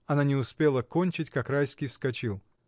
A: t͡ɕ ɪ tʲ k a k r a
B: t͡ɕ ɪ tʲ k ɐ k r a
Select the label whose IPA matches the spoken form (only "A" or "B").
A